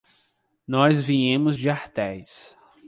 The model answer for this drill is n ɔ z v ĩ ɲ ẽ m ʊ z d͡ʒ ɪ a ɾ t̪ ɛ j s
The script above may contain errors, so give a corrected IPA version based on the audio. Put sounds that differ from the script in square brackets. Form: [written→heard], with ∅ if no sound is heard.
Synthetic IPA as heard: n ɔ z v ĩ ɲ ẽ m ʊ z d͡ʒ ɪ a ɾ t̪ ɛ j s